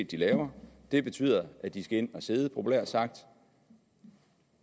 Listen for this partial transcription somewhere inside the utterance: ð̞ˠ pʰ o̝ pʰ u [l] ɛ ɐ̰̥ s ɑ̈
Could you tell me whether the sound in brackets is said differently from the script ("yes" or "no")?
no